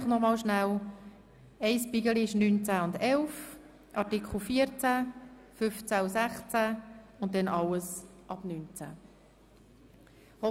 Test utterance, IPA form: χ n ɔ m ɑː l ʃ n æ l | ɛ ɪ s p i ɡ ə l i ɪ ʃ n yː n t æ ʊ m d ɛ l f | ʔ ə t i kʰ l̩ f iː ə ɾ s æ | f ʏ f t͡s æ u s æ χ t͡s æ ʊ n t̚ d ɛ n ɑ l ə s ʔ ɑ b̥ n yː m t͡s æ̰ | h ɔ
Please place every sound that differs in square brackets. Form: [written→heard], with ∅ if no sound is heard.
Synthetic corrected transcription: χ n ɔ m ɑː l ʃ n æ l | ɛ ɪ s p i ɡ ə l i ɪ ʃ n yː n [t→t͡s] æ ʊ [m→n] d ɛ l f | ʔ [ə→ɑ] t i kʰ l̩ f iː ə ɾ [s→t͡s] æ | f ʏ f t͡s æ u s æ χ t͡s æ ʊ n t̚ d ɛ n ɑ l ə s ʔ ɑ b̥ n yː [m→n] t͡s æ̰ | h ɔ